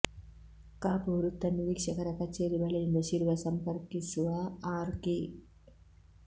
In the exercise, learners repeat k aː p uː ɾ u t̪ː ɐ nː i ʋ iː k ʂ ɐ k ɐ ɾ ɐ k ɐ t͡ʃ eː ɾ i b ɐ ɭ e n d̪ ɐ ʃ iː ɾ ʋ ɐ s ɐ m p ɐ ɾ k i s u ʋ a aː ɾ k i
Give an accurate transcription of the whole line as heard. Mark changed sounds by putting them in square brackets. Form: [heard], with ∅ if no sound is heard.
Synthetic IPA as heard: k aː p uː ɾ u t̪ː ɐ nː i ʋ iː k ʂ ɐ k ɐ ɾ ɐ k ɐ t͡ʃ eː ɾ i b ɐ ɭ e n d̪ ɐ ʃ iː ɾ ʋ ɐ s ɐ m p ɐ ɾ k i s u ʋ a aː ɾ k i

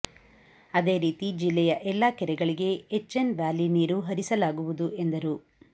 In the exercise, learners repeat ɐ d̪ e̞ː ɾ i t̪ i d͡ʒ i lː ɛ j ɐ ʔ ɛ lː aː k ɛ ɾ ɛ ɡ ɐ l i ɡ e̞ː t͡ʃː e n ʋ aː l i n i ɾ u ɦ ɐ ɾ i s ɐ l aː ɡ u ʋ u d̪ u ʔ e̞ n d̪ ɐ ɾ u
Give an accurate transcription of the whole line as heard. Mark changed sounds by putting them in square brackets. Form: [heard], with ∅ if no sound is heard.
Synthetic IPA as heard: ɐ d̪ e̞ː ɾ [iː] t̪ i d͡ʒ i lː ɛ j ɐ ʔ ɛ lː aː k ɛ ɾ ɛ ɡ ɐ [ɭ] i ɡ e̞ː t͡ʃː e n ʋ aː l i n [iː] ɾ u ɦ ɐ ɾ i s ɐ l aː ɡ u ʋ u d̪ u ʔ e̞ n d̪ ɐ ɾ u

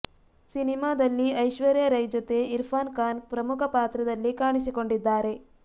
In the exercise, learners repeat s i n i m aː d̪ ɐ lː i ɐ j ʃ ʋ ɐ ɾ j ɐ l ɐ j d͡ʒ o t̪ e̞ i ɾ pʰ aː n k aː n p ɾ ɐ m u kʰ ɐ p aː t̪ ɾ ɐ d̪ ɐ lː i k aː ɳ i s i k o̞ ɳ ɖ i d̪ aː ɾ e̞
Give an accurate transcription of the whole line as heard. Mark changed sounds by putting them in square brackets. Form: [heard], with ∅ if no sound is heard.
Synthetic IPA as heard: s i n i m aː d̪ ɐ lː i ɐ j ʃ ʋ ɐ ɾ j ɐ [ɾ] ɐ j d͡ʒ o t̪ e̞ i ɾ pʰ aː n k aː n p ɾ ɐ m u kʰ ɐ p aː t̪ ɾ ɐ d̪ ɐ lː i k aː ɳ i s i k o̞ ɳ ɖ i [d̪ː] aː ɾ e̞

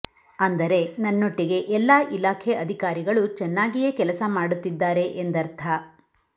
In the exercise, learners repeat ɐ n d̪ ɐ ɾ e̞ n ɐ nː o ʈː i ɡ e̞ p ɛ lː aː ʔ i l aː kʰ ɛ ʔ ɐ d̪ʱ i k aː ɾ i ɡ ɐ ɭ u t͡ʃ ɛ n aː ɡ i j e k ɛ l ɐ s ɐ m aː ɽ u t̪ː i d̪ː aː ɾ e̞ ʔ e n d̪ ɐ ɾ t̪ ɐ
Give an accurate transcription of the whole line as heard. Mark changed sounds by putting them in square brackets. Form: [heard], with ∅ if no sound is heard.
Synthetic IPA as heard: ɐ n d̪ ɐ ɾ e̞ n ɐ nː o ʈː i ɡ e̞ [ʔ] ɛ lː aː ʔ i l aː kʰ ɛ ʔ ɐ d̪ʱ i k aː ɾ i ɡ ɐ ɭ u t͡ʃ ɛ [nː] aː ɡ i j e k ɛ l ɐ s ɐ m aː ɽ u t̪ː i d̪ː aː ɾ e̞ ʔ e n d̪ ɐ ɾ [t̪ʰ] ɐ

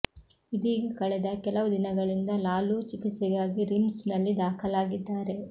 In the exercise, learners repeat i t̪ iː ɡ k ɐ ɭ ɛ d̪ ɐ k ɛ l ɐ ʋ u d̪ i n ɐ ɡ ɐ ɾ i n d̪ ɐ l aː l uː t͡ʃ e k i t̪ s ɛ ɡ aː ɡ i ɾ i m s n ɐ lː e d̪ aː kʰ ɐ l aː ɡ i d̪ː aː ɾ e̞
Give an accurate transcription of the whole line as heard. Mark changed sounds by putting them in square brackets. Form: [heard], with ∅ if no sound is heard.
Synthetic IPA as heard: i [d̪] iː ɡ k ɐ ɭ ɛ d̪ ɐ k ɛ l ɐ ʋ u d̪ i n ɐ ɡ ɐ [ɭ] i n d̪ ɐ l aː l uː t͡ʃ [i] k i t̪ s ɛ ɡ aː ɡ i ɾ i m s n ɐ lː [i] d̪ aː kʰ ɐ l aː ɡ i d̪ː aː ɾ e̞

